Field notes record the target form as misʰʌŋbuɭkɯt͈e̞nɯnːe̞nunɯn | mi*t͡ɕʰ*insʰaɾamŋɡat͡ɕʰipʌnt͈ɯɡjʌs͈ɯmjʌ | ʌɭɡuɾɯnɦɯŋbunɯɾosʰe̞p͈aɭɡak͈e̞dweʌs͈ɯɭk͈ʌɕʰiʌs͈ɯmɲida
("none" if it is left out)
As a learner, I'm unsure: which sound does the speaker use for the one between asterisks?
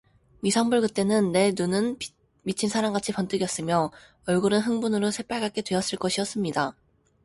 t͡ɕʰ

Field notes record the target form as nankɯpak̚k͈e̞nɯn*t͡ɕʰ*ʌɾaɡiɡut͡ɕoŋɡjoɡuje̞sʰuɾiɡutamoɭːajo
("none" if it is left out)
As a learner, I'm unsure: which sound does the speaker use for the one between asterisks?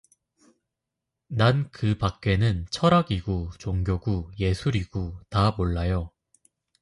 t͡ɕʰ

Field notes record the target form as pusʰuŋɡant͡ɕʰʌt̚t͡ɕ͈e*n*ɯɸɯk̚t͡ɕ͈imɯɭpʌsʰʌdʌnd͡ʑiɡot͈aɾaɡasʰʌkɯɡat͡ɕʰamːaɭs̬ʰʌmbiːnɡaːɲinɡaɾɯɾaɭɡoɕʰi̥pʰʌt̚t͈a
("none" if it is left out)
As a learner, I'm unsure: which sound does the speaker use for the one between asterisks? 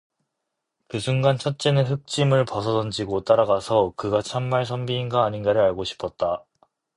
n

